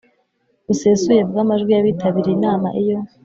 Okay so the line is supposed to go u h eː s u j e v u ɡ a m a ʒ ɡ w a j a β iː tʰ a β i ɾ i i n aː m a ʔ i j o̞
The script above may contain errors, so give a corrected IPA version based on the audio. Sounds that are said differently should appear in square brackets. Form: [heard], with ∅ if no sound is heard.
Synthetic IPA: u [s] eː s u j e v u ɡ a m a ʒ ɡ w [i] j a β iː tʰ a β i ɾ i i n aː m a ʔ i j o̞